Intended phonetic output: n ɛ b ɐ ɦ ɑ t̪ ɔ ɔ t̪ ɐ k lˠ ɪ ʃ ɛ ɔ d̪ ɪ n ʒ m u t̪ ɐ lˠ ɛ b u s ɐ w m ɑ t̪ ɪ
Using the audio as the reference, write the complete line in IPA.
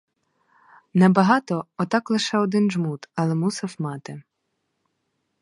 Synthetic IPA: n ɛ b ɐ ɦ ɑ t̪ ɔ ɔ t̪ ɑ k lˠ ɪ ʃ ɛ ɔ d̪ ɪ n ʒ m u t̪ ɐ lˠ ɛ m u s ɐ w m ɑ t̪ ɪ